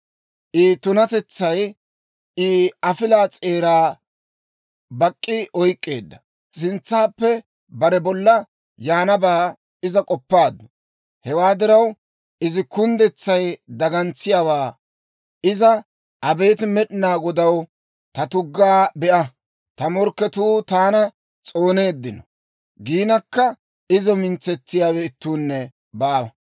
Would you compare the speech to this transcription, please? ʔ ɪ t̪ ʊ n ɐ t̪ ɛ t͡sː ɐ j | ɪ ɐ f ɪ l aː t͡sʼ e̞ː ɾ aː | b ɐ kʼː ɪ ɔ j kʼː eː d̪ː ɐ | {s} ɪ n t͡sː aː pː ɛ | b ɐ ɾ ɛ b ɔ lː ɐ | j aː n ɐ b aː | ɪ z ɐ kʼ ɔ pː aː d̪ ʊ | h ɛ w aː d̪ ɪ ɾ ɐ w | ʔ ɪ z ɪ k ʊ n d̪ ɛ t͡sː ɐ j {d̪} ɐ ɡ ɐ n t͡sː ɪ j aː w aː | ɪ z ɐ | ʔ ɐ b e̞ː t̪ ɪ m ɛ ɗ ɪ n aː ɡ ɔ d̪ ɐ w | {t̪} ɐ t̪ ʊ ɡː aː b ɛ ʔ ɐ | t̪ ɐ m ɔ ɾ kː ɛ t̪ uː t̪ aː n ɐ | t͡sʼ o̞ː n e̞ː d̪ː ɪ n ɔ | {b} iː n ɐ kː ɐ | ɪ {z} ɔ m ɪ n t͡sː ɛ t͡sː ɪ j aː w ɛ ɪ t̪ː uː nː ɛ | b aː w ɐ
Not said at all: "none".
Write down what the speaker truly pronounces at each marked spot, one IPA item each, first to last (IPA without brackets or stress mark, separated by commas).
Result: s, d̪, t̪, ɡ, z